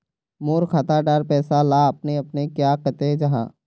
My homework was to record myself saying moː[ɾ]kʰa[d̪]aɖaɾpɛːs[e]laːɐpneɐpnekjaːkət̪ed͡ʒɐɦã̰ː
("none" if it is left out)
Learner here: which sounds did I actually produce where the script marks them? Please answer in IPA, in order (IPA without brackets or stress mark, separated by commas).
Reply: ɾ, t̪, a